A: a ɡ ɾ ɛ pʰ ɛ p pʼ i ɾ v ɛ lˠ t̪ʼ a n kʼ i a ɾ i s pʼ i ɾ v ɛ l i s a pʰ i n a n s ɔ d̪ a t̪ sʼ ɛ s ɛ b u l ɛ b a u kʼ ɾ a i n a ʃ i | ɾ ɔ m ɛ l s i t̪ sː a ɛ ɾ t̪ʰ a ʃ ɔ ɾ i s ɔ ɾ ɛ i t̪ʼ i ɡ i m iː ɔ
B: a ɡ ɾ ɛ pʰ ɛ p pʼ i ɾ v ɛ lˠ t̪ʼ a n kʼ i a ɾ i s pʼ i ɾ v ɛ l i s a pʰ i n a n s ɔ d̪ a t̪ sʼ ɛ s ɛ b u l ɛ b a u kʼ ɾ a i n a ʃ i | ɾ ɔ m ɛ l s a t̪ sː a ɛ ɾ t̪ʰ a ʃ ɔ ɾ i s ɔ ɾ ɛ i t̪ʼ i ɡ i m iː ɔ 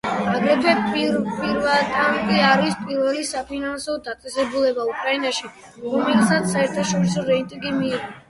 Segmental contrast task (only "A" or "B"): B